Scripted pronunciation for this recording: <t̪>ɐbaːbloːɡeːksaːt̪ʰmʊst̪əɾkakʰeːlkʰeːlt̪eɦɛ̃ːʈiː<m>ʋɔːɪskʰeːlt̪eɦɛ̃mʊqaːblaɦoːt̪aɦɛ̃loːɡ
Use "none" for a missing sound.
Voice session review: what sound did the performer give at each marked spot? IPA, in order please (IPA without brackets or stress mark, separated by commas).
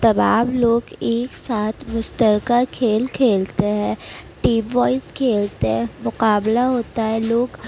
t̪, m